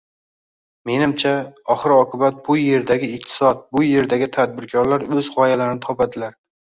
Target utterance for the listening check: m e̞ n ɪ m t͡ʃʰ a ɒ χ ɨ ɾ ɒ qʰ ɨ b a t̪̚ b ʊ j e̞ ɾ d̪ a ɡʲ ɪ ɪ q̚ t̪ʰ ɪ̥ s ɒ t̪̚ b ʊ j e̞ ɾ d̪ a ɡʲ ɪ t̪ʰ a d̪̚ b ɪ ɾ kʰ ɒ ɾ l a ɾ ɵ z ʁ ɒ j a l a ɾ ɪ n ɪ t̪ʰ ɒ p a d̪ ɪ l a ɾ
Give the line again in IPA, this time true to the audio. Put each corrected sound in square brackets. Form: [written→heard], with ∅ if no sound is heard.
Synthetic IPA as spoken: m e̞ n ɪ m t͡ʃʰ a ɒ χ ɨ ɾ ɒ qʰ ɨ b a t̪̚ b ʊ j e̞ ɾ d̪ a ɡʲ ɪ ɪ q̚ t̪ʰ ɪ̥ s ɒ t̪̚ b ʊ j e̞ ɾ d̪ a ɡʲ ɪ t̪ʰ a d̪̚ b ɪ ɾ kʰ ɒ ɾ l a ɾ ɵ z ʁ ɒ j a l a ɾ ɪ n ɪ t̪ʰ ɒ p a d̪ ɪ l a ɾ

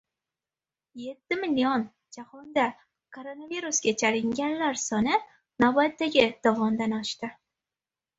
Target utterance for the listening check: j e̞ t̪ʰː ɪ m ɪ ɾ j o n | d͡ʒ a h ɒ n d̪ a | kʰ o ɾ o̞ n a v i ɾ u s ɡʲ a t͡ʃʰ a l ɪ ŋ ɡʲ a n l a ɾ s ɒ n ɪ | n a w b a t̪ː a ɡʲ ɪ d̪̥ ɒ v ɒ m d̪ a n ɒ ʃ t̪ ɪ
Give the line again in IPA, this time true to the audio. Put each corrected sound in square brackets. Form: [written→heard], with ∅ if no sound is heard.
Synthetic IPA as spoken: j e̞ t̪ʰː ɪ m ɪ [ɾ→l] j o n | d͡ʒ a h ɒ n d̪ a | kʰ o ɾ o̞ n a v i ɾ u s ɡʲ a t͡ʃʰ a l ɪ ŋ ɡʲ a n l a ɾ s ɒ n ɪ | n a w b a t̪ː a ɡʲ ɪ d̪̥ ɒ v ɒ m d̪ a n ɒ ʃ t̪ ɪ

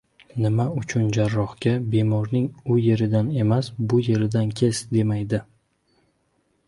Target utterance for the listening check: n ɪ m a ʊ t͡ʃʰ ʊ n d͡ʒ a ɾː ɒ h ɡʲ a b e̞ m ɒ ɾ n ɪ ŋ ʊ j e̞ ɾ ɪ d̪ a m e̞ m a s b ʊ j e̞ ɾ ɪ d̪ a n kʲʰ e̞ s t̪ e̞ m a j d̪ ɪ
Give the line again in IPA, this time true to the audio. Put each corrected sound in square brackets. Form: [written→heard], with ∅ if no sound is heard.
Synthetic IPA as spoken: n ɪ m a ʊ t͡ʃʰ ʊ n d͡ʒ a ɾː ɒ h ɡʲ a b e̞ m ɒ ɾ n ɪ ŋ ʊ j e̞ ɾ ɪ d̪ a [m→n] e̞ m a s b ʊ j e̞ ɾ ɪ d̪ a n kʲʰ e̞ s [t̪→d̪] e̞ m a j d̪ ɪ

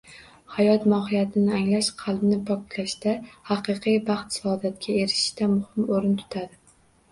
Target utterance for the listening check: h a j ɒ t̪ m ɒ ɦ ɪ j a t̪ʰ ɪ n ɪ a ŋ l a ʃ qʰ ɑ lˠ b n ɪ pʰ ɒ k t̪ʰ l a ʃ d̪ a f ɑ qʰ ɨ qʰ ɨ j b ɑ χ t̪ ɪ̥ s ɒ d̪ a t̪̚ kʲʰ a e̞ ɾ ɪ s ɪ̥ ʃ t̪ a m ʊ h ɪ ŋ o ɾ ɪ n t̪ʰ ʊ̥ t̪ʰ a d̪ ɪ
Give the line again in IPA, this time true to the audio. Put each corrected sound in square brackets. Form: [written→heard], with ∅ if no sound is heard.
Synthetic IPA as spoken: h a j ɒ t̪ m ɒ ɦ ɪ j a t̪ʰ ɪ n ɪ a ŋ l a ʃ qʰ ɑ lˠ b n ɪ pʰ ɒ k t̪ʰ l a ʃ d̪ a [f→h] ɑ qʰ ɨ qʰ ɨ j b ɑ χ t̪ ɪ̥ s ɒ d̪ a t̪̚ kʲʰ a e̞ ɾ ɪ [s→ʃ] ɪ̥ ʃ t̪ a m ʊ h ɪ [ŋ→m] o ɾ ɪ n t̪ʰ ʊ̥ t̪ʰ a d̪ ɪ

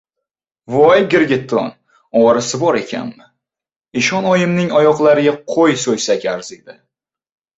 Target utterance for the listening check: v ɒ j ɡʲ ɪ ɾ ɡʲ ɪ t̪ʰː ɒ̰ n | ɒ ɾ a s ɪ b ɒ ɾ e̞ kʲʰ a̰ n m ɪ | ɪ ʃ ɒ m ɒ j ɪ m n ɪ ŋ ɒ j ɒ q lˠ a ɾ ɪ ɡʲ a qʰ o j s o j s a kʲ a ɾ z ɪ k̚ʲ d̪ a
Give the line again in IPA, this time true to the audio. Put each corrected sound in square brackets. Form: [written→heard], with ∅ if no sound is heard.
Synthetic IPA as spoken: v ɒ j ɡʲ ɪ ɾ ɡʲ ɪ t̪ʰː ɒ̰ n | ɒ ɾ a s ɪ b ɒ ɾ e̞ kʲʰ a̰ n m ɪ | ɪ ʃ ɒ [m→n] ɒ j ɪ m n ɪ ŋ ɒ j ɒ q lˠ a ɾ ɪ ɡʲ a qʰ o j s o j s a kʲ a ɾ z ɪ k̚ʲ d̪ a

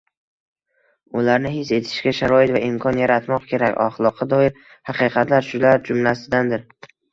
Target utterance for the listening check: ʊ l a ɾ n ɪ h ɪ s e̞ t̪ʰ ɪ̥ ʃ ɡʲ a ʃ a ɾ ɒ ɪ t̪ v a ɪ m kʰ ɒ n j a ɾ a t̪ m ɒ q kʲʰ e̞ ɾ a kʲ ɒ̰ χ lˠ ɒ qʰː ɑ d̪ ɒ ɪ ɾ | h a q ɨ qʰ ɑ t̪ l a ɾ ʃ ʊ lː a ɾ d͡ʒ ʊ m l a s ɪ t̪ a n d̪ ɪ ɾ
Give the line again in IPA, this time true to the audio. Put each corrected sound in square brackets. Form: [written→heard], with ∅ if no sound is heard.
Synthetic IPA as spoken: ʊ l a ɾ n ɪ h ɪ s e̞ t̪ʰ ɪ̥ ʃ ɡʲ a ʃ a ɾ ɒ ɪ t̪ v a ɪ m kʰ ɒ n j a ɾ a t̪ m ɒ q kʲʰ e̞ ɾ a kʲ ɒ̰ χ lˠ ɒ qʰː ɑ d̪ ɒ ɪ ɾ | h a q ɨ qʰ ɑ t̪ l a ɾ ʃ ʊ [lː→l] a ɾ d͡ʒ ʊ m l a s ɪ [t̪→d̪] a n d̪ ɪ ɾ

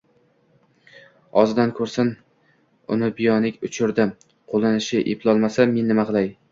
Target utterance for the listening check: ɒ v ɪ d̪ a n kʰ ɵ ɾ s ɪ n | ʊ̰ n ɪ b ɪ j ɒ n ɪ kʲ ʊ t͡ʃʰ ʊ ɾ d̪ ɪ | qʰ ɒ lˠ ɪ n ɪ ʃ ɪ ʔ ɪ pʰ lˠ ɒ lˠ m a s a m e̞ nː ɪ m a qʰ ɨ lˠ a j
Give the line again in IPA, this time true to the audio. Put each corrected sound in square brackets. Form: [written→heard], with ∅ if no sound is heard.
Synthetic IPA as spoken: ɒ [v→z] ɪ d̪ a n kʰ ɵ ɾ s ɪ n | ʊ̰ n ɪ b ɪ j ɒ n ɪ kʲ ʊ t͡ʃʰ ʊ ɾ d̪ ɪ | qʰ [ɒ→o] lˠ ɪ n ɪ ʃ ɪ ʔ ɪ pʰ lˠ ɒ lˠ m a s a m e̞ nː ɪ m a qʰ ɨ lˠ a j

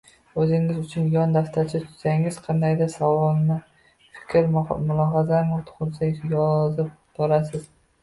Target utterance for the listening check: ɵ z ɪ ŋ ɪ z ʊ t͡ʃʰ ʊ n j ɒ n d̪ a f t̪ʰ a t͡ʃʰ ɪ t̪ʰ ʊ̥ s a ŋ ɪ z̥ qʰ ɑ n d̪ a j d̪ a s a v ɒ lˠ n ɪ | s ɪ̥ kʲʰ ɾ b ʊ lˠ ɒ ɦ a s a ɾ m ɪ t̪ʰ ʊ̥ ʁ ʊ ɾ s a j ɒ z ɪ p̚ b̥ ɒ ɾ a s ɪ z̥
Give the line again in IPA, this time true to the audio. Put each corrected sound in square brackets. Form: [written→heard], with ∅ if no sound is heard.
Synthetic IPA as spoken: ɵ z ɪ ŋ ɪ z ʊ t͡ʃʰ ʊ n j ɒ n d̪ a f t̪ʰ a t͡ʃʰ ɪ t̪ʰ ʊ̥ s a ŋ ɪ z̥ qʰ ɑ n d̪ a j d̪ a s a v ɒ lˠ n ɪ | [s→f] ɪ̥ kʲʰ ɾ [b→m] ʊ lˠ ɒ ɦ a [s→z] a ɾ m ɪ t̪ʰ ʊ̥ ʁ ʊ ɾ s a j ɒ z ɪ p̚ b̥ ɒ ɾ a s ɪ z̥

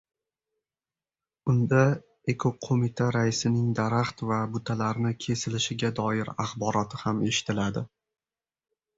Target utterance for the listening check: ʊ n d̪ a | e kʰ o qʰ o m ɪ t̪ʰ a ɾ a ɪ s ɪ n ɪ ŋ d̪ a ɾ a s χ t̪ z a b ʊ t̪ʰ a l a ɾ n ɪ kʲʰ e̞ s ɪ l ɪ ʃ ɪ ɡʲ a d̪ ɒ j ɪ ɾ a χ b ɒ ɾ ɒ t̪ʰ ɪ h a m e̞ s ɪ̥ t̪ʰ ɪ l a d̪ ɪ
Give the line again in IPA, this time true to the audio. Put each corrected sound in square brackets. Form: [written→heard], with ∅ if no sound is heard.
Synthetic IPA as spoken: ʊ n d̪ a | e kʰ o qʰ o m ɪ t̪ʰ a ɾ a ɪ s ɪ n ɪ ŋ d̪ a ɾ a [s→∅] χ t̪ [z→v] a b ʊ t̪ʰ a l a ɾ n ɪ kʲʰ e̞ s ɪ l ɪ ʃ ɪ ɡʲ a d̪ ɒ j ɪ ɾ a χ b ɒ ɾ ɒ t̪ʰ ɪ h a m e̞ [s→ʃ] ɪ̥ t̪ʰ ɪ l a d̪ ɪ

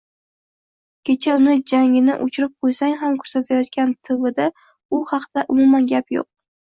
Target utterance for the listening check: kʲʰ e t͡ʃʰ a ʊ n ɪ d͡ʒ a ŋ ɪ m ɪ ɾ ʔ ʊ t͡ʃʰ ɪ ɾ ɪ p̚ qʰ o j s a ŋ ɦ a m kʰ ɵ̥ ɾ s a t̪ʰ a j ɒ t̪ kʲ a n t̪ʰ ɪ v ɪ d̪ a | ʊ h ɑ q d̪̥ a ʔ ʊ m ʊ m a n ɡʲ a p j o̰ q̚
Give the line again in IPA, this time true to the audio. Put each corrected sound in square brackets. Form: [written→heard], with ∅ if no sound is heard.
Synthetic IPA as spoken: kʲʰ e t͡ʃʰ a ʊ n ɪ d͡ʒ a ŋ ɪ [m→n] ɪ [ɾ→∅] ʔ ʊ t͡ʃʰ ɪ ɾ ɪ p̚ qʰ o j s a ŋ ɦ a m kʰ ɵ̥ ɾ s a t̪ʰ a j ɒ t̪ kʲ a n t̪ʰ ɪ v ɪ d̪ a | ʊ h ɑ q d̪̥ a ʔ ʊ m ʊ m a n ɡʲ a p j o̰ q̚

